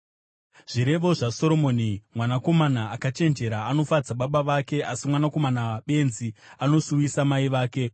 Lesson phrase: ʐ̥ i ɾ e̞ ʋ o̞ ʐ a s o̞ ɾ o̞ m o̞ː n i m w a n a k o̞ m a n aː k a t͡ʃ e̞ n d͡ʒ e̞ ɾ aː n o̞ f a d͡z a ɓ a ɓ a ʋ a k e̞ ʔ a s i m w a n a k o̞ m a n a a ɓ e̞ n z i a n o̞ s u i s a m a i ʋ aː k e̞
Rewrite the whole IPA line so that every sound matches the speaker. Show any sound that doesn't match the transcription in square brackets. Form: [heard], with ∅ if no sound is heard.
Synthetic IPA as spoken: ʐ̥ i ɾ e̞ ʋ o̞ ʐ a s o̞ ɾ o̞ m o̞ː n i m w a n a k o̞ m a n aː k a t͡ʃ e̞ n d͡ʒ e̞ ɾ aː n o̞ f a d͡z a ɓ a ɓ a ʋ a k e̞ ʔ a s i m w a n a k o̞ m a n a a ɓ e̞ n z i a n o̞ s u i s a m a i ʋ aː k e̞